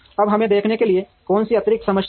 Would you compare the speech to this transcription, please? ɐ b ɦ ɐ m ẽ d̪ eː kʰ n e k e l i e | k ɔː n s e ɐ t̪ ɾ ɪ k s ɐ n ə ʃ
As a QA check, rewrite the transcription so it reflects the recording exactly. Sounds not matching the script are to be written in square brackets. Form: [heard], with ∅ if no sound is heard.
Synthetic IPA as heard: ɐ b ɦ ɐ m ẽ d̪ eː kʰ n e k e l i e | k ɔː n s [i] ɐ t̪ ɾ ɪ k s ɐ [m] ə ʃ